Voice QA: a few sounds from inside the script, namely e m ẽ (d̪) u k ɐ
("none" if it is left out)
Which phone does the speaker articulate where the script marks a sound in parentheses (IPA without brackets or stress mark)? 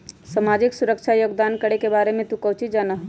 t̪